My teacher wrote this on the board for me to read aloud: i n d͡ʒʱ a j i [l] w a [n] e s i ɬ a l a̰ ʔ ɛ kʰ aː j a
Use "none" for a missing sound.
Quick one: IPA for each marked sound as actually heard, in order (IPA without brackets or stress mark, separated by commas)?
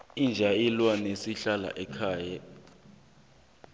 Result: l, n